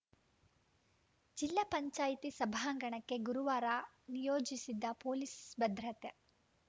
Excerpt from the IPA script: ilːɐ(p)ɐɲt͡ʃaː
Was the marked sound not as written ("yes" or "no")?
no